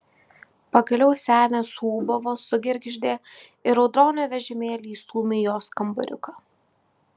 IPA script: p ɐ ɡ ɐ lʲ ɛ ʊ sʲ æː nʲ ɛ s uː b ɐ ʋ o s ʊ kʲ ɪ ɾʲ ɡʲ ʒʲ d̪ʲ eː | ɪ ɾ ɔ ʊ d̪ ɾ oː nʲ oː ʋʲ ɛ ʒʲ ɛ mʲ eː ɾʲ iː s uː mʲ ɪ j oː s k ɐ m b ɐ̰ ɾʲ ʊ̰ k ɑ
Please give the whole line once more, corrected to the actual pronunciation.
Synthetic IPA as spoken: p ɐ ɡ ɐ lʲ ɛ ʊ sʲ æː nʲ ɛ s uː b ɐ ʋ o s ʊ ɡʲ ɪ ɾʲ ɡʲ ʒʲ d̪ʲ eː | ɪ ɾ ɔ ʊ d̪ ɾ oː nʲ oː ʋʲ ɛ ʒʲ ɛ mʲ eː lʲ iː s uː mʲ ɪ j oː s k ɐ m b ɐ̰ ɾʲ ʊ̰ k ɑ